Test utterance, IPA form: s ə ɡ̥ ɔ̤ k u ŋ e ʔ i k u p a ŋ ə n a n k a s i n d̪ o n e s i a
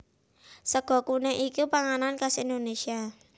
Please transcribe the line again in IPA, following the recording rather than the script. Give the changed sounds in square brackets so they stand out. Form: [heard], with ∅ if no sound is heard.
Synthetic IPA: s ə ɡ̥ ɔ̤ k u [n] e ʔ i k u p a ŋ [a] n a n k a s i n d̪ o n e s i a